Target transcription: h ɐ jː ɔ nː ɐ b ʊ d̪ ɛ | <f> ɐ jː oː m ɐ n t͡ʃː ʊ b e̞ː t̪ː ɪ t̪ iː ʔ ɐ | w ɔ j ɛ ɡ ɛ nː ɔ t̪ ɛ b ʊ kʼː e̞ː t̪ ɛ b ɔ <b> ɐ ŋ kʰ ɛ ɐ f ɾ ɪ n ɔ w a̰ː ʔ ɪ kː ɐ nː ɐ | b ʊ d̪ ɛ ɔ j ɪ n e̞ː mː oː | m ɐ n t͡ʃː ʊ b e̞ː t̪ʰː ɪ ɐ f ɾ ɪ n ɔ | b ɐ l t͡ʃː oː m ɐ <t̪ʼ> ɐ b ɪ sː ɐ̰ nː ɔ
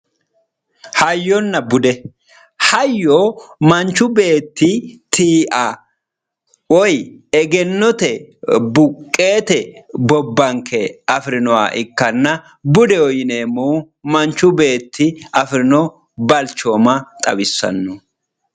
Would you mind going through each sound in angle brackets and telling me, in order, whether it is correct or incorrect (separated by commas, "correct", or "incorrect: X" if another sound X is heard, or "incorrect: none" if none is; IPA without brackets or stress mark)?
incorrect: h, incorrect: bː, correct